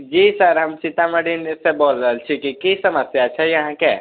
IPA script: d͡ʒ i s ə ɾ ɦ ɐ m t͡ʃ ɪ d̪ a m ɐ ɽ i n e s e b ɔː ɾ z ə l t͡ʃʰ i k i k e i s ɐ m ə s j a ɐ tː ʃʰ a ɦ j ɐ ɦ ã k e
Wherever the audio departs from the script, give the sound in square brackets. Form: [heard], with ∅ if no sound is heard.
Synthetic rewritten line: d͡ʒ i s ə ɾ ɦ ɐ m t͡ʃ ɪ [t̪] a m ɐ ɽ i n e s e b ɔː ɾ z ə l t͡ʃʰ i k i k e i s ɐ m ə s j a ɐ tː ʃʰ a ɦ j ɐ ɦ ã k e